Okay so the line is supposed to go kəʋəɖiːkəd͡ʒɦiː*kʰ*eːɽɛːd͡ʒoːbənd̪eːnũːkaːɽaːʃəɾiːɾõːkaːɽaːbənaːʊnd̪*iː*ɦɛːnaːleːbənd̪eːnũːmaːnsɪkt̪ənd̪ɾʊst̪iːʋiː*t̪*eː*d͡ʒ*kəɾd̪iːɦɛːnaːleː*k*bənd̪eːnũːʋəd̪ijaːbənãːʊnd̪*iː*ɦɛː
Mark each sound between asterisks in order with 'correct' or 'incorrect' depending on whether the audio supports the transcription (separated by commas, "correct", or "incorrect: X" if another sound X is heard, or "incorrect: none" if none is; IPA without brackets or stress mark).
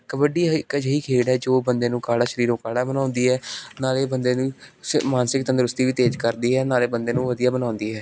correct, correct, correct, correct, incorrect: none, correct